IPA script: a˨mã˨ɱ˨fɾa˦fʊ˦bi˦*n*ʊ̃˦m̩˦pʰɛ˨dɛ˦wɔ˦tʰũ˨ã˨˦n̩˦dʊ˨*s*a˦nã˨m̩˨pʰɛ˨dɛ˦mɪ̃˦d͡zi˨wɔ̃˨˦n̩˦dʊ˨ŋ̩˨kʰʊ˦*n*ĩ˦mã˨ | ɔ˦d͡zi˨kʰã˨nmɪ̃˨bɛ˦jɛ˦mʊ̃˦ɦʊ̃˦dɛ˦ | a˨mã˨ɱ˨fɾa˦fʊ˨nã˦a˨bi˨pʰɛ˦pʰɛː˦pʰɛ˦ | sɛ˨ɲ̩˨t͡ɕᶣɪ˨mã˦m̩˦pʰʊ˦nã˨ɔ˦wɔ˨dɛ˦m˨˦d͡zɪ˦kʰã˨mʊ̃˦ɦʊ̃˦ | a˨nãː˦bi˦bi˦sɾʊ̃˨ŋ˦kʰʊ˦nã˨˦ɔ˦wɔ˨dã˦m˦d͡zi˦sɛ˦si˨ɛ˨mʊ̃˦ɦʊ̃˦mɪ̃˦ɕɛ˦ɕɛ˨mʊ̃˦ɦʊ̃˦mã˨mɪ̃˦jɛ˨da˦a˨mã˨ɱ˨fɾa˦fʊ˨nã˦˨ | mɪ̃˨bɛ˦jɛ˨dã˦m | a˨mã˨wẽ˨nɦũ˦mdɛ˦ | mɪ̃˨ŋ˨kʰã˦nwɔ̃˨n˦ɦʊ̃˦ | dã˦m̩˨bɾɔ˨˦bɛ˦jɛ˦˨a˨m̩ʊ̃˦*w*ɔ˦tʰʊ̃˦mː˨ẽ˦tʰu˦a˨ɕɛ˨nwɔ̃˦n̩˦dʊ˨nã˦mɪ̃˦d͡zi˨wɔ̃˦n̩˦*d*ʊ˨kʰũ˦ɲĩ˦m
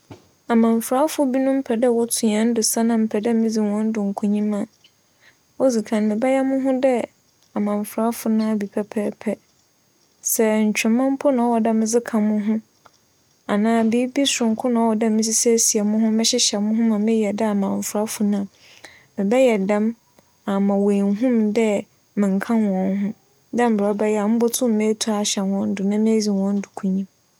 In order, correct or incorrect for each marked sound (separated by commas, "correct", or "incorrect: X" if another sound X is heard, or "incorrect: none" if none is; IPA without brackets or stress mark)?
correct, correct, incorrect: ɲ, incorrect: b, correct